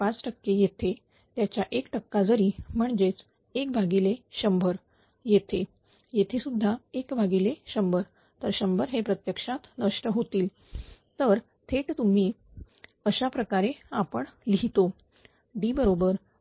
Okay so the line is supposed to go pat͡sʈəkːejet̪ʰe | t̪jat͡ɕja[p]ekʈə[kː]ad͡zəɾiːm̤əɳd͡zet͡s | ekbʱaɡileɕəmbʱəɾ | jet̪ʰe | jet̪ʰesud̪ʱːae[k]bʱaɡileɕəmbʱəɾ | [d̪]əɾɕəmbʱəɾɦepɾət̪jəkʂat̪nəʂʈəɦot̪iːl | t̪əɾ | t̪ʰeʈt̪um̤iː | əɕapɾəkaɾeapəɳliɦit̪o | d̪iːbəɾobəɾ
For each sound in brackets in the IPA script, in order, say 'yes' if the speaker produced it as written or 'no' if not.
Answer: no, yes, yes, no

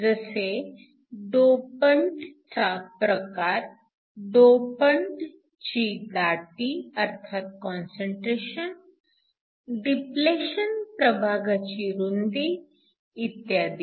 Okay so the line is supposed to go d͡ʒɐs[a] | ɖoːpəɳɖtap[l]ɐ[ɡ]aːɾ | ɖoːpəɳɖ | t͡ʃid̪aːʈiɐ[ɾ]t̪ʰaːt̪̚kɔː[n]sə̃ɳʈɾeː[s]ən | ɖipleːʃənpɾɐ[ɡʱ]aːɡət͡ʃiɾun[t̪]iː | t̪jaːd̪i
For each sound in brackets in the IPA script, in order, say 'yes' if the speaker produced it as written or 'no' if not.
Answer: no, no, no, yes, yes, no, no, no

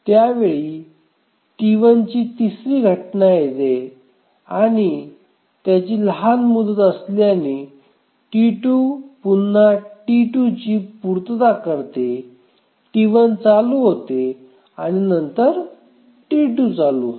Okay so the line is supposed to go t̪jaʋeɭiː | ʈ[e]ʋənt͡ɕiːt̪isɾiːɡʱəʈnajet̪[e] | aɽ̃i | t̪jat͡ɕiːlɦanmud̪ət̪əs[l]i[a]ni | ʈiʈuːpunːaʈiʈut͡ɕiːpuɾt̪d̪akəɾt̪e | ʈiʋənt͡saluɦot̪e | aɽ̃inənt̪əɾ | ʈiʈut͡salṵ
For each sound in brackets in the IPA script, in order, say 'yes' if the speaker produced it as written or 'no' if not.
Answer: no, yes, yes, yes

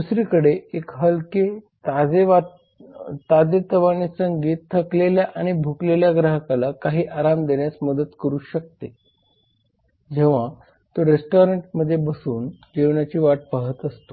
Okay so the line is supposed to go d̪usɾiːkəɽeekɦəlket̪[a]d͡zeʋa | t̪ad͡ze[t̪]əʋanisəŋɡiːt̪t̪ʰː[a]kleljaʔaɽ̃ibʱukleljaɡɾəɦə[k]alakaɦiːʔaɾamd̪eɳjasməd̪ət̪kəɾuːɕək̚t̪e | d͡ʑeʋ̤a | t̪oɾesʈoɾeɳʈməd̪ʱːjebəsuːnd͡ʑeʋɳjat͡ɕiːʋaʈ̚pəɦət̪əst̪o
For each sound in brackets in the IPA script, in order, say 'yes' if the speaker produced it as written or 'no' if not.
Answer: yes, yes, no, yes

